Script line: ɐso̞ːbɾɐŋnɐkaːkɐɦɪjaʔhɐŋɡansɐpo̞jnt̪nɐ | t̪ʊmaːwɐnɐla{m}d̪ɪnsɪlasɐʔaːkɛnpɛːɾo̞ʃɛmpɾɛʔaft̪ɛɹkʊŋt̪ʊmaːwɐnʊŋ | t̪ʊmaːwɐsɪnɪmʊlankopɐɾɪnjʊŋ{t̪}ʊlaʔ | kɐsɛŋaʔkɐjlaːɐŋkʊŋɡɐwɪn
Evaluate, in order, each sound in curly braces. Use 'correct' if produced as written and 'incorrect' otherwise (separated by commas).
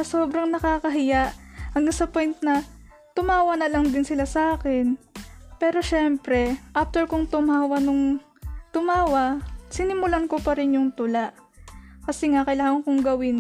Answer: incorrect, correct